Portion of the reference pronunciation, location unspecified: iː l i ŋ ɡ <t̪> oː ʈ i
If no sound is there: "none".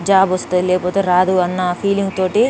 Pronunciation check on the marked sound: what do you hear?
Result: t̪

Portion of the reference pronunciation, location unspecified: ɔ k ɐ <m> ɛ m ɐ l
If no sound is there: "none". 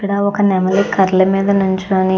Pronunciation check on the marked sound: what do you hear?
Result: n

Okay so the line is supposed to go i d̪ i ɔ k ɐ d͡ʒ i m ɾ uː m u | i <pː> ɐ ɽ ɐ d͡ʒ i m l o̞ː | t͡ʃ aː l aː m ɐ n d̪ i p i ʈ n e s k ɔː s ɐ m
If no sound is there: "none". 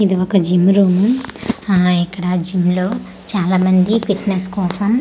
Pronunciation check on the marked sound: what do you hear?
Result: kː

